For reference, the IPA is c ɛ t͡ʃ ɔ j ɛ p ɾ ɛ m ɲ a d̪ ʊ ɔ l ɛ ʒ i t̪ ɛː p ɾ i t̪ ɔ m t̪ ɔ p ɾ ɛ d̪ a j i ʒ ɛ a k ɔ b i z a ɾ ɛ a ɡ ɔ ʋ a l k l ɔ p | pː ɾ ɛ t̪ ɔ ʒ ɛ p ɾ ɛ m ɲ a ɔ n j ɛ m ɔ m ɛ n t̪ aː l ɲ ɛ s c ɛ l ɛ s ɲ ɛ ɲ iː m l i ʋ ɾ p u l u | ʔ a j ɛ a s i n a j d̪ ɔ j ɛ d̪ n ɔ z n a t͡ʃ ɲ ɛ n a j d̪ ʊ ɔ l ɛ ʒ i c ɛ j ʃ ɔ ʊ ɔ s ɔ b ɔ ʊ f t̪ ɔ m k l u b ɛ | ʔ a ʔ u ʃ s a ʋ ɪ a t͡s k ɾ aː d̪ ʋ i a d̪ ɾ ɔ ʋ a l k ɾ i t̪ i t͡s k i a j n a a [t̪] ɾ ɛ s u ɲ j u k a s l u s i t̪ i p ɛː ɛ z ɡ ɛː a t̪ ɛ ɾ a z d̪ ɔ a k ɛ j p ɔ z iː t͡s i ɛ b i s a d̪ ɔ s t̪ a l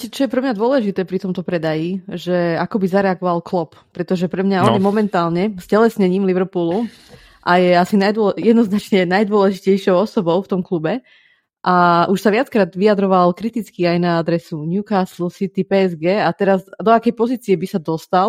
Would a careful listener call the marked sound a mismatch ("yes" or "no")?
yes